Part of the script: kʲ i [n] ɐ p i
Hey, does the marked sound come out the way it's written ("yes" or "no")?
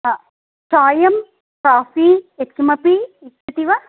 no